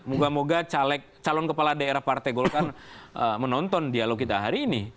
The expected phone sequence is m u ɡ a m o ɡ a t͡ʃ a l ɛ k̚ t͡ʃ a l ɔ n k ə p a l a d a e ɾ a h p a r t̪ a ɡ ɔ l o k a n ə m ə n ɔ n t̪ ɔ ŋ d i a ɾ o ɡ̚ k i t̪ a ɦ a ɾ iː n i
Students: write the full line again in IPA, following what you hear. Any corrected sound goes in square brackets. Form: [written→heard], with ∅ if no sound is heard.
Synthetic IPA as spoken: m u ɡ a m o ɡ a t͡ʃ a l ɛ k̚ t͡ʃ a l ɔ n k ə p a l a d a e ɾ a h p a r t̪ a ɡ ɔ l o k a n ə m ə n ɔ n t̪ ɔ [ŋ→n] d i a [ɾ→l] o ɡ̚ k i t̪ a ɦ a ɾ iː n i